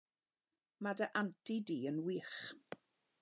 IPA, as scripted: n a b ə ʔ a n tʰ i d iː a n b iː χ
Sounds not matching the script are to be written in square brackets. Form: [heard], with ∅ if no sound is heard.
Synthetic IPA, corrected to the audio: [m] a [d] ə ʔ a n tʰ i d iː [ə] n [w] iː χ